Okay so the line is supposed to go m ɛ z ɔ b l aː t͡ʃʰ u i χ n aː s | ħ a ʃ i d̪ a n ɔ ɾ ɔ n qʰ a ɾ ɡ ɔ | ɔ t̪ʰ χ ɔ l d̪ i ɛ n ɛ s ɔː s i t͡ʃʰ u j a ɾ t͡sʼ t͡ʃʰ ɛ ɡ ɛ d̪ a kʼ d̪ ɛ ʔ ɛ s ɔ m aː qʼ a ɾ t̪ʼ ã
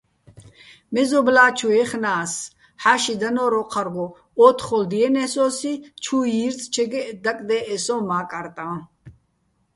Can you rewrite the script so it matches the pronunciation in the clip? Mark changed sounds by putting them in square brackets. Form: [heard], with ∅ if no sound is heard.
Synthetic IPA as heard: m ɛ z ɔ b l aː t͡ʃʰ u [ɛ] χ n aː s | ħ a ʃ i d̪ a n ɔ ɾ ɔ [∅] qʰ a ɾ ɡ ɔ | ɔ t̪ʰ χ ɔ l d̪ i ɛ n ɛ s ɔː s i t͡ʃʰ u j [i] ɾ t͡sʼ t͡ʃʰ ɛ ɡ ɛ d̪ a kʼ d̪ ɛ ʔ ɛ s ɔ m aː [kʼ] a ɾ t̪ʼ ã